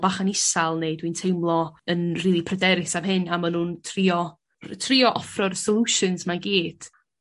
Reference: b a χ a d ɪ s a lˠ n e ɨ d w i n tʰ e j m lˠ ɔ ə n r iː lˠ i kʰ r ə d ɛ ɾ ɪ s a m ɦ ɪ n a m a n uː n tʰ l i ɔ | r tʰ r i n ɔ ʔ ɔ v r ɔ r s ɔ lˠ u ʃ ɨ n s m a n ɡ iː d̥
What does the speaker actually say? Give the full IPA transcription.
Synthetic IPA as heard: b a χ a n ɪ s a lˠ n e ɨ d w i n tʰ e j m lˠ ɔ ə n r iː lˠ i pʰ r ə d ɛ ɾ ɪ s a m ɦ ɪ n a m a n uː n tʰ r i ɔ | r tʰ r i ɔ ʔ ɔ f r ɔ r s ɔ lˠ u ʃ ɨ n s m a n ɡ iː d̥